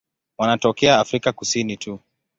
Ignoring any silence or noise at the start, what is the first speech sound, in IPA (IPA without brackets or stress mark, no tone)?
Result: w